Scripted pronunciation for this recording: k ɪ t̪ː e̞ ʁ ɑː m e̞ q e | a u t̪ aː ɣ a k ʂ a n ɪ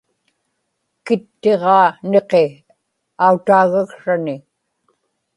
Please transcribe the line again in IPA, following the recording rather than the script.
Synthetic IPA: k ɪ t̪ː e̞ ʁ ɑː n e̞ q e | a u t̪ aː ɣ a k ʂ a n ɪ